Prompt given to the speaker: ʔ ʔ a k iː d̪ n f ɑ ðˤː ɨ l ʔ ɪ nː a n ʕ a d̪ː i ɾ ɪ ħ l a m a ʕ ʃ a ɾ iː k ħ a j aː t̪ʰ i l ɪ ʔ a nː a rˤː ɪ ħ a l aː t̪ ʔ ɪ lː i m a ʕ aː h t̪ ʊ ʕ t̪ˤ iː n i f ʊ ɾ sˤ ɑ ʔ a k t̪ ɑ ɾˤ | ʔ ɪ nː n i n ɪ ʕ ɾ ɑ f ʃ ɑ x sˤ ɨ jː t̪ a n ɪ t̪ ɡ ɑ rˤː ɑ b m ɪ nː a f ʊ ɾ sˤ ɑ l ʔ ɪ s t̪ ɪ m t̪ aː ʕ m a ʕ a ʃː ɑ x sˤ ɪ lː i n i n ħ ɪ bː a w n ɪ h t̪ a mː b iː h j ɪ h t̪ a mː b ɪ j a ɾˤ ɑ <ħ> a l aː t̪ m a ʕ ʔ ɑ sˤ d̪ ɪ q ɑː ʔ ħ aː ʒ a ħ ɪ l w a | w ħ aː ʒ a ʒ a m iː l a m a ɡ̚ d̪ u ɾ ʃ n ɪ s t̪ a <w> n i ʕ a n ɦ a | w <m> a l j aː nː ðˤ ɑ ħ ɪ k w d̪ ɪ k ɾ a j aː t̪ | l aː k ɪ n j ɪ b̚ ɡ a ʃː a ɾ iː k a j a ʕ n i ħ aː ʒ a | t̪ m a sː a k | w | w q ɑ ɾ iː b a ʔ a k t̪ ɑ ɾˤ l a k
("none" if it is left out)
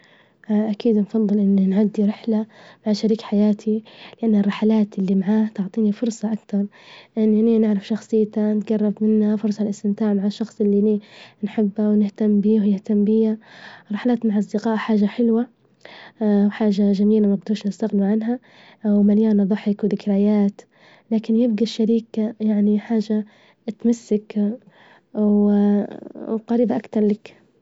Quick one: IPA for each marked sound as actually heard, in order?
ħ, ɣ, m

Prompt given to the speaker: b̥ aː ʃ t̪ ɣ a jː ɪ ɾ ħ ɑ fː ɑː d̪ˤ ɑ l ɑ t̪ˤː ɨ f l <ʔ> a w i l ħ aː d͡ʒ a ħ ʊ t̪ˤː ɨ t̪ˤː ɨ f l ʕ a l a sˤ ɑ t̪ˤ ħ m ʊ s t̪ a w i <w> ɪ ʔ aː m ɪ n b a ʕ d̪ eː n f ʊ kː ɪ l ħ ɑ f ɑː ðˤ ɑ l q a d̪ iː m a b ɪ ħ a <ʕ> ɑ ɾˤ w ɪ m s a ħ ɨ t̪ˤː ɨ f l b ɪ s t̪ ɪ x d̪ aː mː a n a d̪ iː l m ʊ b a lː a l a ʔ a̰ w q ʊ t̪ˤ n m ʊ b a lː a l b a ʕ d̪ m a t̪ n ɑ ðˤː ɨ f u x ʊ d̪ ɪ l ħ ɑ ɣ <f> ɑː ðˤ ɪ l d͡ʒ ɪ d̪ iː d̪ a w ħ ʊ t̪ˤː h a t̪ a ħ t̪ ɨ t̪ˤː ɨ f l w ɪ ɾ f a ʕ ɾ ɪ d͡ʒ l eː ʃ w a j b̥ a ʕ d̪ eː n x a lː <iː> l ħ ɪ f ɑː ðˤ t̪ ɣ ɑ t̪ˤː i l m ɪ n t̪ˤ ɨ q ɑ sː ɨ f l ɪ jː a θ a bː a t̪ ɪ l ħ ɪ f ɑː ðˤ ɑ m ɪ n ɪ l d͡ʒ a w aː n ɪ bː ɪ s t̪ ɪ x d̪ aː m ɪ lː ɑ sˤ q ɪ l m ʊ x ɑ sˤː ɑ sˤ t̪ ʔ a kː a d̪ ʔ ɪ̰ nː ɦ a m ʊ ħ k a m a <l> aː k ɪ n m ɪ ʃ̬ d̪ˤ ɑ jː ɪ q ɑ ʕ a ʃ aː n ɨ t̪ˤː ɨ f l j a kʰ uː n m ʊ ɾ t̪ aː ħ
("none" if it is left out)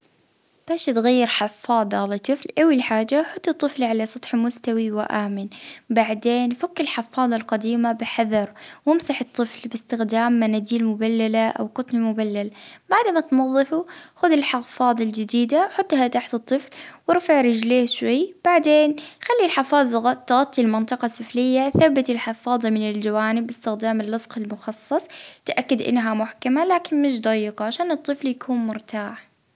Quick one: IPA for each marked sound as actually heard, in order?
ʔ, w, ð, f, i, l

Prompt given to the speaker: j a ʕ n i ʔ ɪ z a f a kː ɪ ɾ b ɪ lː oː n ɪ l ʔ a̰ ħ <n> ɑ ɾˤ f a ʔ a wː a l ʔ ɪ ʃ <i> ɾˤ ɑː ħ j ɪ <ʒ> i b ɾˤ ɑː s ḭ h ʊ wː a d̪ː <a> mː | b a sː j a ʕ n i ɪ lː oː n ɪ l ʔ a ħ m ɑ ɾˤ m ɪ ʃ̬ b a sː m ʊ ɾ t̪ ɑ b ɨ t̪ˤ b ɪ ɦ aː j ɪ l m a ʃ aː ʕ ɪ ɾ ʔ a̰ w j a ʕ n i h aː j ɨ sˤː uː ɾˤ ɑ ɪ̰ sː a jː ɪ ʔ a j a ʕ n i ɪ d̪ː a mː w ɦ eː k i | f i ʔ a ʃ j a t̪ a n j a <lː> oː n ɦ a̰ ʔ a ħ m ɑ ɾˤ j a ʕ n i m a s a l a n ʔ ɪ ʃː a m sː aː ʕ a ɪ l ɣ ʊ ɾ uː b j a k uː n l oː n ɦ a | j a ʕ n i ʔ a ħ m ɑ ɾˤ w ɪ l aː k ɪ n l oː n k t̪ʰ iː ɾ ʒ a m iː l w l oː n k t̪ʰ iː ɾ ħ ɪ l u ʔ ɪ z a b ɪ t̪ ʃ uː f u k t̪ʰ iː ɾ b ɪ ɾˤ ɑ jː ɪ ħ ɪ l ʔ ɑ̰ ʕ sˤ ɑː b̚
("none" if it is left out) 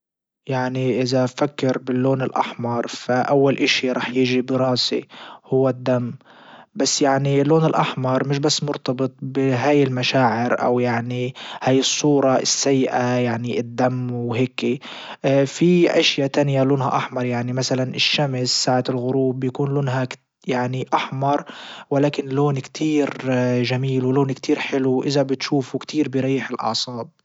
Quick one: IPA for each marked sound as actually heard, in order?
m, i, ʒ, a, l

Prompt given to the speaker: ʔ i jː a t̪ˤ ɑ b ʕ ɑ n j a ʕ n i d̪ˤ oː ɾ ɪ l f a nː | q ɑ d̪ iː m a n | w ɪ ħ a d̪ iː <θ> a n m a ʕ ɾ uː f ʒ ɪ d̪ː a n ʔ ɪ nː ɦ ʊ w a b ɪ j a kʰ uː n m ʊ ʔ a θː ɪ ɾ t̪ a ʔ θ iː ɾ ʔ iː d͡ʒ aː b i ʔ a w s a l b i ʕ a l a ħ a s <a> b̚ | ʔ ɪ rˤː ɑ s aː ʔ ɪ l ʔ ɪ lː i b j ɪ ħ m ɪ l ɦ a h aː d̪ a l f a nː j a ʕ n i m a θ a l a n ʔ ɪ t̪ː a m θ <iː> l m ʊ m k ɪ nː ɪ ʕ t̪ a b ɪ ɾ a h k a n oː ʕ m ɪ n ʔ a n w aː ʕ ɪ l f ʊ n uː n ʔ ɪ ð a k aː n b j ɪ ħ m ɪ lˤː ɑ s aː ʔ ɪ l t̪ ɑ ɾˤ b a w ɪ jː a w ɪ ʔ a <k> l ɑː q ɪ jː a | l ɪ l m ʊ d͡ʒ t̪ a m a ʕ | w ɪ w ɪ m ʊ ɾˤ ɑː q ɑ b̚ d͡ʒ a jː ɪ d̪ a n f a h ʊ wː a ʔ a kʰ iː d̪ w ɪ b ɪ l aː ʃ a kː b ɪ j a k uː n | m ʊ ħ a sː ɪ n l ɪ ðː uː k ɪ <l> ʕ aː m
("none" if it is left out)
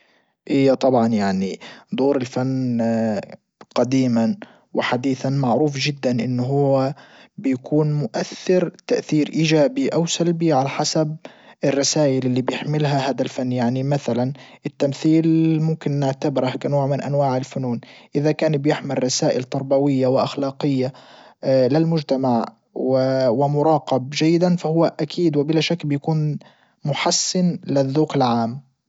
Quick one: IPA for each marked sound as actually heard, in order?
θ, a, iː, x, l

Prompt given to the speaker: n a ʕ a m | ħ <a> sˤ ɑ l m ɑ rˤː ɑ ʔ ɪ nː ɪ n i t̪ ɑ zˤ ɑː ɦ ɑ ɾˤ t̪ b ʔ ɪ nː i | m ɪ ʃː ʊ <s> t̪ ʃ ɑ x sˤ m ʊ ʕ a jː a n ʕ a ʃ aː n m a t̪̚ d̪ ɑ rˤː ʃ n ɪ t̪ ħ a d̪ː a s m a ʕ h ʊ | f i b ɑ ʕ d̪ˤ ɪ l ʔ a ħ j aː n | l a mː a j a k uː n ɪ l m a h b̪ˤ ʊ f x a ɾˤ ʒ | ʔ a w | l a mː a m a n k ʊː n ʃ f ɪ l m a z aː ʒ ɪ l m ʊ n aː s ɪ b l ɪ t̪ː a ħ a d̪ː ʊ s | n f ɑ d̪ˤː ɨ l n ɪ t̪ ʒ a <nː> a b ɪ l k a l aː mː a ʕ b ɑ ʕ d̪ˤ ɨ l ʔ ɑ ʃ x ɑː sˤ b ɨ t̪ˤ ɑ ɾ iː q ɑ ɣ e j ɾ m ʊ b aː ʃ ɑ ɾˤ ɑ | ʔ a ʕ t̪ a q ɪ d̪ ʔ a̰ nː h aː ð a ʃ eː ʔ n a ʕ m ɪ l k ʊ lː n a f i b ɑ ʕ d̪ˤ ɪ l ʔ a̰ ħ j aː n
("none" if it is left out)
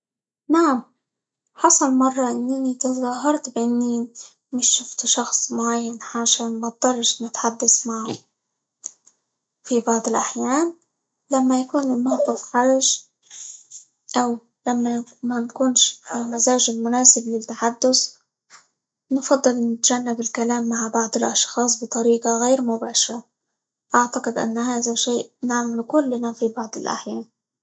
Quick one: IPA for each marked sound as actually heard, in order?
ɑ, f, nː

